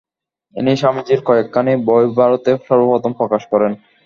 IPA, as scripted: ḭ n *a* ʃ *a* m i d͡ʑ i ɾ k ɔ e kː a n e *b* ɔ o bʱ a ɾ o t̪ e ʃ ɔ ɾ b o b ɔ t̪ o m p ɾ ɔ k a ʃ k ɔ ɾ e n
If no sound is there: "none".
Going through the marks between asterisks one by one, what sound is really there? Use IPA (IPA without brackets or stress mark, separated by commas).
i, a, b